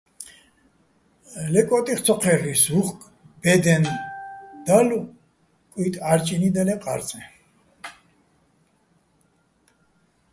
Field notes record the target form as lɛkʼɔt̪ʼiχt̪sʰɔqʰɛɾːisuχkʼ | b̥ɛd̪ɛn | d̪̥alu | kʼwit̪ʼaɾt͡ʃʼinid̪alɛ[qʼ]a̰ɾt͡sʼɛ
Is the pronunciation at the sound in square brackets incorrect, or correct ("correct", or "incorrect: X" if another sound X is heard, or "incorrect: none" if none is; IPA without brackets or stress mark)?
correct